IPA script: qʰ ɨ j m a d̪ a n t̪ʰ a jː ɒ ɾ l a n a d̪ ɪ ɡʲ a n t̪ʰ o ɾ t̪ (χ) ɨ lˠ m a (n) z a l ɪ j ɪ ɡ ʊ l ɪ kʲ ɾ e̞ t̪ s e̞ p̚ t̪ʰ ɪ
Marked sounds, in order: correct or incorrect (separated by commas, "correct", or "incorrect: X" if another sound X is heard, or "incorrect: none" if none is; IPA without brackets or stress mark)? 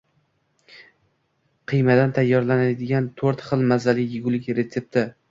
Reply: correct, incorrect: none